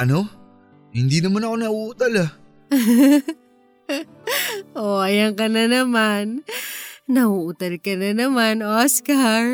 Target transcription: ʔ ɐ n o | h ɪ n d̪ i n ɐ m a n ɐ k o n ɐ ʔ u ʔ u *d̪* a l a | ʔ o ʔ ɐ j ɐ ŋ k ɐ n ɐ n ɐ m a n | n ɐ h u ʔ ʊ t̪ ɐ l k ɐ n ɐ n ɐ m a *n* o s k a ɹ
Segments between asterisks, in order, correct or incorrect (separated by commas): incorrect, correct